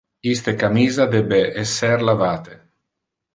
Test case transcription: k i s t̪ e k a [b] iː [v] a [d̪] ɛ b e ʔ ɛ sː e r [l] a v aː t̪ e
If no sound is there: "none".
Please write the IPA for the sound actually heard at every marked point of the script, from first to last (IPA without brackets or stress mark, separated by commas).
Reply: m, z, d̪, l